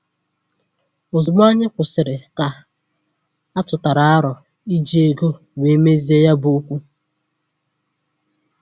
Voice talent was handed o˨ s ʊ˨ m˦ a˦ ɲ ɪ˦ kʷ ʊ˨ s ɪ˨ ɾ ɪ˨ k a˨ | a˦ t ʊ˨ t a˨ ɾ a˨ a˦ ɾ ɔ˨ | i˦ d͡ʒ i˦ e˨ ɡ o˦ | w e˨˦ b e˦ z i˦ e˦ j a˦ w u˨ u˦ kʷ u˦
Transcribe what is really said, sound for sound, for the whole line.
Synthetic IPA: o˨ z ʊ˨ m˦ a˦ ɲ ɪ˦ kʷ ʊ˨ s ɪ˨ ɾ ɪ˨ k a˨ | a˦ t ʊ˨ t a˨ ɾ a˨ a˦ ɾ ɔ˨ | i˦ d͡ʒ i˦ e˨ ɡ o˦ | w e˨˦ m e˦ z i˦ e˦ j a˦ b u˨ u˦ kʷ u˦